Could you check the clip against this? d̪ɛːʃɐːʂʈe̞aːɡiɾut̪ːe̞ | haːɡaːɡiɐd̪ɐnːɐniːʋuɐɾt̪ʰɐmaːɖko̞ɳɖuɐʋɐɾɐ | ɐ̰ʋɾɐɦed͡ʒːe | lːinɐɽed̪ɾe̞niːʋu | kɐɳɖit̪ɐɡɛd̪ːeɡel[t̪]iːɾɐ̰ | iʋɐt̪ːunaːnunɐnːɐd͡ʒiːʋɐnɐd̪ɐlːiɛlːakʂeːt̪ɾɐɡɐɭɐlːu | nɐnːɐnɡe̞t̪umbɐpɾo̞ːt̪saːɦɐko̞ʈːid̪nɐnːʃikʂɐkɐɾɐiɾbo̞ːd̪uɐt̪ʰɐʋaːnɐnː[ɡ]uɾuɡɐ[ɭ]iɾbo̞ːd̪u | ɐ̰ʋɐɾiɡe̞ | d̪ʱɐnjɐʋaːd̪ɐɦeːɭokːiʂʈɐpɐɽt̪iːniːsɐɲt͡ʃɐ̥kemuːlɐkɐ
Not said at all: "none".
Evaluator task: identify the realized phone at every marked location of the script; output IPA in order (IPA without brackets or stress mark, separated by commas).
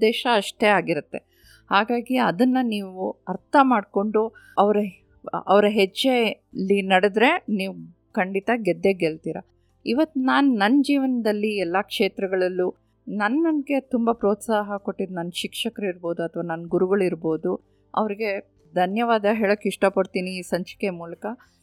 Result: t̪, ɡ, ɭ